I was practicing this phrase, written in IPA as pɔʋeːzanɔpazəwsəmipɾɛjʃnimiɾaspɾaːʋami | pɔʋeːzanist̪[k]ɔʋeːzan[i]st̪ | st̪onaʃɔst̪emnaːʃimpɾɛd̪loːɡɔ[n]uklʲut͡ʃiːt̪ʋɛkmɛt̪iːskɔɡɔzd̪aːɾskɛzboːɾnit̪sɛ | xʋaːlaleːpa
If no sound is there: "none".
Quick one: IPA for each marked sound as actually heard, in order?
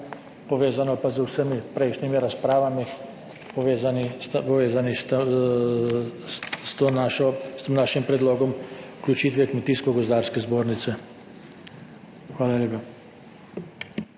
p, i, m

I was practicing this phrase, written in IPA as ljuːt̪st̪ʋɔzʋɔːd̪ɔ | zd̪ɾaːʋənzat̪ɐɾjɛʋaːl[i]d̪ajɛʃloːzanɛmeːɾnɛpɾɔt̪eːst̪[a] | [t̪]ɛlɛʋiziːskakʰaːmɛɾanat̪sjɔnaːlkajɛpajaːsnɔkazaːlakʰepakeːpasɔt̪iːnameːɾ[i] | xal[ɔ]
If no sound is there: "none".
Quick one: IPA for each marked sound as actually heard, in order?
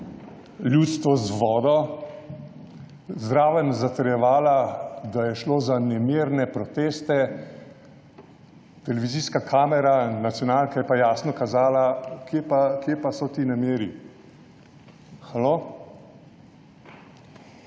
a, ɛ, t̪, i, o

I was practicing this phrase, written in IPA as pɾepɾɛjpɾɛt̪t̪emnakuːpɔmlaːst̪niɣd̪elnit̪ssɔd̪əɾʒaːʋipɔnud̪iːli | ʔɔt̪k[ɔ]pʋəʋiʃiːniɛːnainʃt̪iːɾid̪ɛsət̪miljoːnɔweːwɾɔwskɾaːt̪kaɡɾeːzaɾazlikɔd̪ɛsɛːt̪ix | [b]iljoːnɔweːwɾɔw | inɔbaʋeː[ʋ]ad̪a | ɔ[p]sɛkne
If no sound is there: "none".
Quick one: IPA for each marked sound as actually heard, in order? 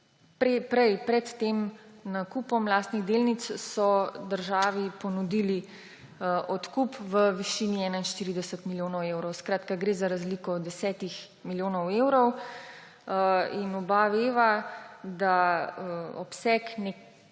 u, m, ʋ, p

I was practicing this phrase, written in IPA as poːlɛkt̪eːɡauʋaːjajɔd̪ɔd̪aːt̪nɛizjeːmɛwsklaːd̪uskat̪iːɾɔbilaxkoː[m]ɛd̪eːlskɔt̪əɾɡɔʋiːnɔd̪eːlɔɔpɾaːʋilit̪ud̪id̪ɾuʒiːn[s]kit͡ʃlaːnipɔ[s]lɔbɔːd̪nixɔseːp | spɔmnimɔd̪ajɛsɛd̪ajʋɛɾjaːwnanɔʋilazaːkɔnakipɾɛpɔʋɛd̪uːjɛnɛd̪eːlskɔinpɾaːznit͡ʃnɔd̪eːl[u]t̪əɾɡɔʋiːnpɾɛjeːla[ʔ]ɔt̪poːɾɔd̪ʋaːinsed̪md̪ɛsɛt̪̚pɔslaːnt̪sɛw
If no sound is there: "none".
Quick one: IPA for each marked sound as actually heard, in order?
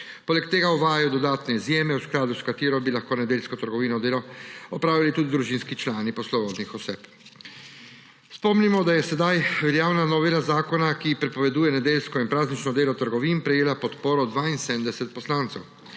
n, s, s, ɔ, p

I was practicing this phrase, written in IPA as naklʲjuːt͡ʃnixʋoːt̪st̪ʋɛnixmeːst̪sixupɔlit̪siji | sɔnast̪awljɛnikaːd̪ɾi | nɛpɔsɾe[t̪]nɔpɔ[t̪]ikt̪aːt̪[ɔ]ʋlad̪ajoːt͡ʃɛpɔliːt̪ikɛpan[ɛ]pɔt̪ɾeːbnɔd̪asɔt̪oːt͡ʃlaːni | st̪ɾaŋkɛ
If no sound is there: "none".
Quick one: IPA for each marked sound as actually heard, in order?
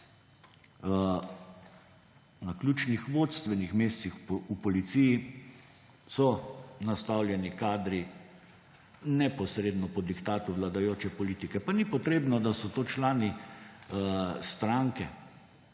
d̪, d̪, u, i

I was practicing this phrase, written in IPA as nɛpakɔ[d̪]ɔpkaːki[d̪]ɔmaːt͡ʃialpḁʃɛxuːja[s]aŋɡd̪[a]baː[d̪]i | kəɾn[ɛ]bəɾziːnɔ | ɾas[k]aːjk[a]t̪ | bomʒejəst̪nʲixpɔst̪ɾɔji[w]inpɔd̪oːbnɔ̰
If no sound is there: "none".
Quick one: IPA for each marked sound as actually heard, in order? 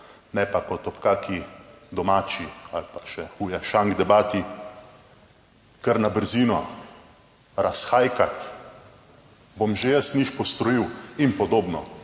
t̪, d̪, ʃ, ɛ, t̪, a, x, a, w

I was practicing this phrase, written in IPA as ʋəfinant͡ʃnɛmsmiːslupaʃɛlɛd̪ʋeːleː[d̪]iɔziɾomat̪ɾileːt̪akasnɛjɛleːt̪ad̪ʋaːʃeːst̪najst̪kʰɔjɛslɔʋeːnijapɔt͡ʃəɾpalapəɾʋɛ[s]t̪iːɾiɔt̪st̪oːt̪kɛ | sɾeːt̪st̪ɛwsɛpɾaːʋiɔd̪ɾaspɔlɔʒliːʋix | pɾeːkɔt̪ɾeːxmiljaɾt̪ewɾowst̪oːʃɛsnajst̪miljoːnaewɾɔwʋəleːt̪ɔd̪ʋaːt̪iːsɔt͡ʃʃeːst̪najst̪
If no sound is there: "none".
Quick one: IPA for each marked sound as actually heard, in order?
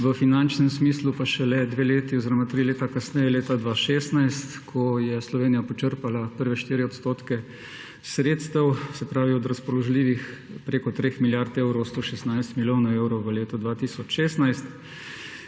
t̪, ʃ

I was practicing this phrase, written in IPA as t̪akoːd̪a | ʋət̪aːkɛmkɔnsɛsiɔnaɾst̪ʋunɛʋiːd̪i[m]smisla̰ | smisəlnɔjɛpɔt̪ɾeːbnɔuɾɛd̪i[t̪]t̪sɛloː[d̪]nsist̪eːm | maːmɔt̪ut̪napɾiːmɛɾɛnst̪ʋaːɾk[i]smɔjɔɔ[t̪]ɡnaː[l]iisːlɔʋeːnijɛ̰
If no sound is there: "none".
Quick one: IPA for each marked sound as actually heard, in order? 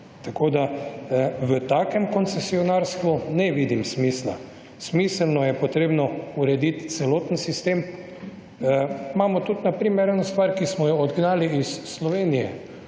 m, t̪, t̪, i, d̪, l

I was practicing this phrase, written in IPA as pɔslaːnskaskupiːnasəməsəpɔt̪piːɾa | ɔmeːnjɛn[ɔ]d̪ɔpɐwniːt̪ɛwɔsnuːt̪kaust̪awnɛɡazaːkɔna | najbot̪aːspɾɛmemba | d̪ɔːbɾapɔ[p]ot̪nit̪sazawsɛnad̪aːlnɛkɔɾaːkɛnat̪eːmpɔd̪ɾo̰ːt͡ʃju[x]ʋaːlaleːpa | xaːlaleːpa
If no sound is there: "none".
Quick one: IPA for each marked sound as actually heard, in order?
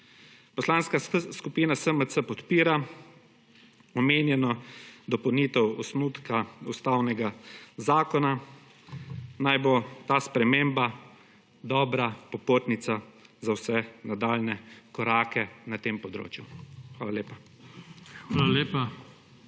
ɔ, p, x

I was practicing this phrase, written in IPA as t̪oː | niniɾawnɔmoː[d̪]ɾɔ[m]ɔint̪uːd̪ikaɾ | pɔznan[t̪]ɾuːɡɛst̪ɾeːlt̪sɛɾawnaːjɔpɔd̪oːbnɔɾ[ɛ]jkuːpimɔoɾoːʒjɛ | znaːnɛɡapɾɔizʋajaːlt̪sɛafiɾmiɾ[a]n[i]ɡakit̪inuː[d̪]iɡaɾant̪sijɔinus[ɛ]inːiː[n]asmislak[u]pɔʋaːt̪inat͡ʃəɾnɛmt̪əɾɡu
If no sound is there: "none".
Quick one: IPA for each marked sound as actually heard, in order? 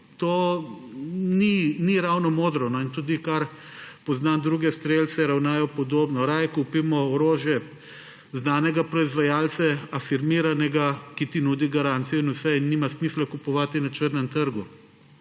d̪, n, d̪, a, a, ɛ, d̪, ɛ, m, u

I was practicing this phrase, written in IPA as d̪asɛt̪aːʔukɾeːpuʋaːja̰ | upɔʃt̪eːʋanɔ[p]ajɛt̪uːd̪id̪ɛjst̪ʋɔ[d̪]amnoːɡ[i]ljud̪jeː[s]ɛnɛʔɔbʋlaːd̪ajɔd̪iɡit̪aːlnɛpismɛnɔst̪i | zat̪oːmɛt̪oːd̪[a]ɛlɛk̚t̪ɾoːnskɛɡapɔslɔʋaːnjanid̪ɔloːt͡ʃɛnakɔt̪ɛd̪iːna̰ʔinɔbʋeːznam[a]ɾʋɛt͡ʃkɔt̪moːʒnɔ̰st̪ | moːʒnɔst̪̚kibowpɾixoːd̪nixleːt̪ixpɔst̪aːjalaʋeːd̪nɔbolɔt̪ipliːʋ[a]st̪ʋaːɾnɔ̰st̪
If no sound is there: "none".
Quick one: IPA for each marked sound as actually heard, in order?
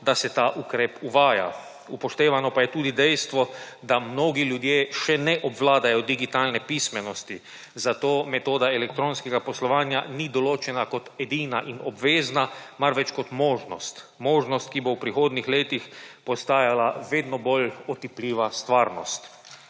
p, d̪, i, ʃ, a, a, a

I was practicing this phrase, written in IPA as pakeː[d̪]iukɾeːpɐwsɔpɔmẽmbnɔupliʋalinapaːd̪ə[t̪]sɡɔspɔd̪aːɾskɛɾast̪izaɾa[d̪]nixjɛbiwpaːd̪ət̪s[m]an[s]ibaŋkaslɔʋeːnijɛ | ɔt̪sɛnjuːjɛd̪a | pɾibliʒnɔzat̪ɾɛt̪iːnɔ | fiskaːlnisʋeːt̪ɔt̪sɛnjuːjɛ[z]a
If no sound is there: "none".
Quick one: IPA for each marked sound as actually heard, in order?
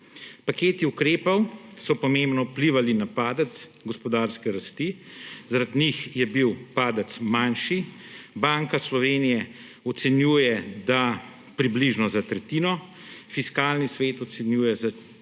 t̪, t̪, d̪, m, ʃ, z

